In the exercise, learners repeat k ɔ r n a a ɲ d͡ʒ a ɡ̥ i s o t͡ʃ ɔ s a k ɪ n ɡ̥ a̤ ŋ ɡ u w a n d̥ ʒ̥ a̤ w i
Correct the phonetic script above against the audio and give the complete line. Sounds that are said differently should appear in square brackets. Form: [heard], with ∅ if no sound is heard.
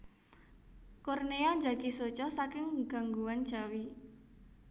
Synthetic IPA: k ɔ r n [e] a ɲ d͡ʒ a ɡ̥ i s o t͡ʃ ɔ s a k ɪ [ŋ] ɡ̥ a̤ ŋ ɡ u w a n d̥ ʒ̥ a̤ w i